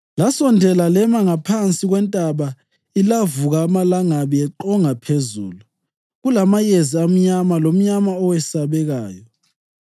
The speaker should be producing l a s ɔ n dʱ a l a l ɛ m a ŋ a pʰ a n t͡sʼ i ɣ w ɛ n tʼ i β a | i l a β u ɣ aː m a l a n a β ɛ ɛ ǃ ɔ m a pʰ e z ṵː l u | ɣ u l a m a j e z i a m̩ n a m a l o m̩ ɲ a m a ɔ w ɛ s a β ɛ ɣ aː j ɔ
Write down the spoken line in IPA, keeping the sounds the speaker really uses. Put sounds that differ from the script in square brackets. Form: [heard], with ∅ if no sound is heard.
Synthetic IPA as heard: l a s ɔ n dʱ [ɛ] l a l ɛ m a ŋ a pʰ a n t͡sʼ i ɣ w ɛ n tʼ [a] β a | i l a [v] u ɣ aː m a l a [ŋ] a β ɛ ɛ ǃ ɔ [ŋ] a pʰ e z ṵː l u | ɣ u l a m a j e z i a m̩ [ɲ] a m a l o m̩ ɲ a m a ɔ w ɛ s a β ɛ ɣ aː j ɔ